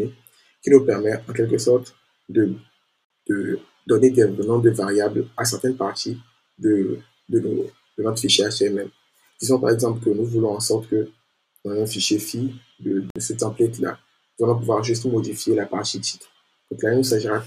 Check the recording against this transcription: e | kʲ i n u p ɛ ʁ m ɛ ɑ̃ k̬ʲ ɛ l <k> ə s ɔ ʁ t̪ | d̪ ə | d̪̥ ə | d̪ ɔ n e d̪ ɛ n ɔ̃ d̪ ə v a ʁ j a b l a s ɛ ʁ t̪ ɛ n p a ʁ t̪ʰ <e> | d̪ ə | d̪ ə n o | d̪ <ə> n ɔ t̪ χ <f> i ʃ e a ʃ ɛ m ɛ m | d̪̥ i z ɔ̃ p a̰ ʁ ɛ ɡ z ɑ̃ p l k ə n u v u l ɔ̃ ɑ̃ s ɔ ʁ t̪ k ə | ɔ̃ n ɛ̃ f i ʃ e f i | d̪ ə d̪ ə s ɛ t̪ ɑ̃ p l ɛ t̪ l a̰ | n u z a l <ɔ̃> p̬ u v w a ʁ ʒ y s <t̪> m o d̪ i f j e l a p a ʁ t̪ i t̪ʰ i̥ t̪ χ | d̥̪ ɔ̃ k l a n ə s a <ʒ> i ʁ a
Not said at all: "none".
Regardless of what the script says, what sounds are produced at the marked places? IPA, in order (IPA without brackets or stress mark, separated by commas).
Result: k, i, ə, f, ɔ̃, t̪, ʒ